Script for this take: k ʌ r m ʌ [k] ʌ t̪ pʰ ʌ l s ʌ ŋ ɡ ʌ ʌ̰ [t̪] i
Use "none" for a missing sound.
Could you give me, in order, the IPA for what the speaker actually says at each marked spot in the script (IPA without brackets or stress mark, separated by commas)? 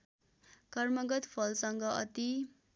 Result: ɡ, t̪